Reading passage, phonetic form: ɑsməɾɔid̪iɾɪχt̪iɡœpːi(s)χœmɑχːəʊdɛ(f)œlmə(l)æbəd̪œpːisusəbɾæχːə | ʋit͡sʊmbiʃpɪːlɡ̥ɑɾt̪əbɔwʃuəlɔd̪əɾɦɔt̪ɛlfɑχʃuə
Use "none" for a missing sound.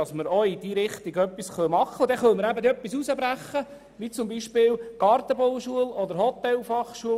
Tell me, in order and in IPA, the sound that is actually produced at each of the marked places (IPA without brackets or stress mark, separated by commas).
s, χ, ɾ